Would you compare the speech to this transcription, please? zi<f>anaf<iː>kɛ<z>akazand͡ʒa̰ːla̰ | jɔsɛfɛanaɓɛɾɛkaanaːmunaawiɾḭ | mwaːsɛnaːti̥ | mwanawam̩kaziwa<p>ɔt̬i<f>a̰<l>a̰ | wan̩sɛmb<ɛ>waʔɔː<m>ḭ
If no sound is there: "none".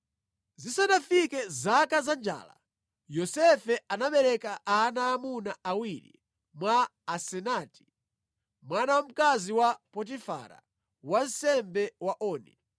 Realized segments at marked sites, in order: s, i, z, p, f, ɾ, ɛ, n

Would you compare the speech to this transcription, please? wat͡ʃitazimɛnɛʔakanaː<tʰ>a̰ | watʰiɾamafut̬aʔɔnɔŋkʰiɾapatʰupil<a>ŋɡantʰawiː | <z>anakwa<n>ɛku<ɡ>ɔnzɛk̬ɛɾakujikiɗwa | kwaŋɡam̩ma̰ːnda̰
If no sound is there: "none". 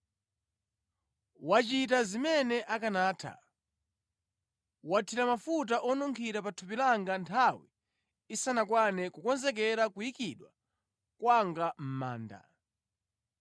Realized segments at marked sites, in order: tʰ, a, s, n, k

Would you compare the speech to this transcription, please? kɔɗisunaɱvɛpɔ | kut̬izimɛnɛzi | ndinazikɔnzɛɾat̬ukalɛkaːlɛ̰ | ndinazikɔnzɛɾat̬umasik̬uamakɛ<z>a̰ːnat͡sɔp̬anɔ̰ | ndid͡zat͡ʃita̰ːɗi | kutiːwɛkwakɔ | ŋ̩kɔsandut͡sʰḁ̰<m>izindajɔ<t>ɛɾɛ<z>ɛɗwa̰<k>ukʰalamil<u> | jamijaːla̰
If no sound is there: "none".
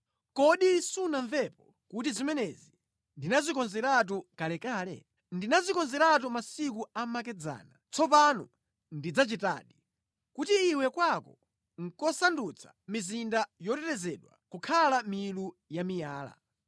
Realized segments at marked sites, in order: d͡z, m, t, z, k, u

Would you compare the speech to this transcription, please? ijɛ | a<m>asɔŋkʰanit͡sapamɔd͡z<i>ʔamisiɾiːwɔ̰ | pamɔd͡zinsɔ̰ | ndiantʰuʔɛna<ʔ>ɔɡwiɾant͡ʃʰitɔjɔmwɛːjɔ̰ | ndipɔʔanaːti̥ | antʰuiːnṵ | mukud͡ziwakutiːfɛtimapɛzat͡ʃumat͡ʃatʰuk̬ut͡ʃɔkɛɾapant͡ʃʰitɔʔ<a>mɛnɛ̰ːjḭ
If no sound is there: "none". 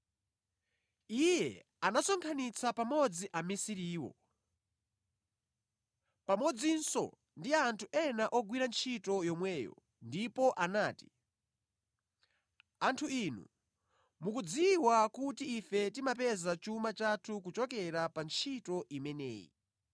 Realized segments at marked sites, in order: n, i, ʔ, i

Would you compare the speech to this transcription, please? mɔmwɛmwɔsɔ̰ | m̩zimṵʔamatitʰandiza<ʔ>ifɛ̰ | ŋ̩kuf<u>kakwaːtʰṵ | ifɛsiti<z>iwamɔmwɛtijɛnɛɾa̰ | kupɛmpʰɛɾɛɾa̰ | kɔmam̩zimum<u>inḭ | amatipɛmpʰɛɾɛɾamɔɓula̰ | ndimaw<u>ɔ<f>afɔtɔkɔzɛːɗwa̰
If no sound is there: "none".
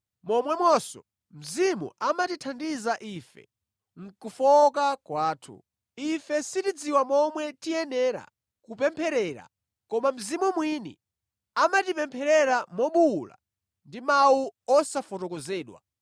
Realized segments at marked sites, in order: ʔ, ɔ, d͡z, w, u, s

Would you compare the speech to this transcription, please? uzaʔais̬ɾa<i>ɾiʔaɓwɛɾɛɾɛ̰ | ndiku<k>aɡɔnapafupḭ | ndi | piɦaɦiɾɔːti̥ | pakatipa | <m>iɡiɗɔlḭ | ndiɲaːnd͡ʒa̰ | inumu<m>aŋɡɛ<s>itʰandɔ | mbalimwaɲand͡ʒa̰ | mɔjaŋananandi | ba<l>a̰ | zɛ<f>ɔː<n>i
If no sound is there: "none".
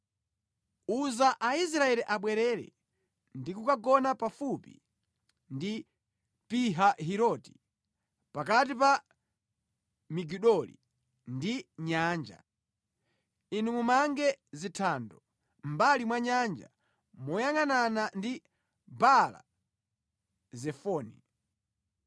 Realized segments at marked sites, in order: ɛ, k, m, m, z, l, f, n

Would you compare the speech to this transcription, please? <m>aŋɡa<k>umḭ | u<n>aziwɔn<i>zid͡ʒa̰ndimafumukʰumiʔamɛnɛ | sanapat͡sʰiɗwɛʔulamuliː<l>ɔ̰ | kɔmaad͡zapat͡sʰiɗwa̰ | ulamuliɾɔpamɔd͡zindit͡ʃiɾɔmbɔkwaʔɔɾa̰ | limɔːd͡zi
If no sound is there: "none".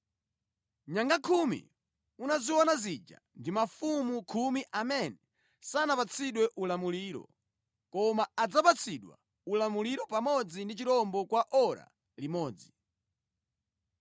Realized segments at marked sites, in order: ɲ, kʰ, n, a, ɾ

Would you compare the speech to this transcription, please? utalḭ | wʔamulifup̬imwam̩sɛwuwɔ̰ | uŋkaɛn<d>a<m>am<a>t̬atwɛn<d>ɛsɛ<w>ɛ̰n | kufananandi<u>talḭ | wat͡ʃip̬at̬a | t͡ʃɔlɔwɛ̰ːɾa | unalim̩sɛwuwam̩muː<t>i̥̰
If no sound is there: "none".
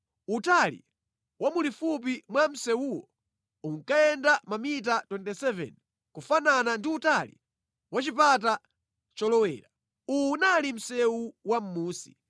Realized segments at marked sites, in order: d, m, i, t, v, u, s

